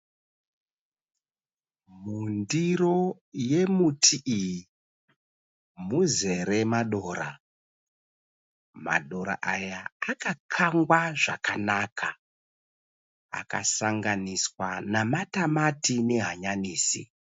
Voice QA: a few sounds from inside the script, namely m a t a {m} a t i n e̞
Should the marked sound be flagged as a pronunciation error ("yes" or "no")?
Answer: no